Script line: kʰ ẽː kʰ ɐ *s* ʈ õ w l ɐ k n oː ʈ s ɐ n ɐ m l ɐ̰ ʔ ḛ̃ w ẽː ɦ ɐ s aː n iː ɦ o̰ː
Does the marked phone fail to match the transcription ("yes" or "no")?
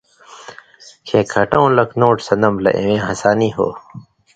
yes